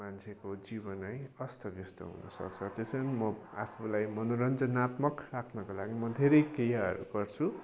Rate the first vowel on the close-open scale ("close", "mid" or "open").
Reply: open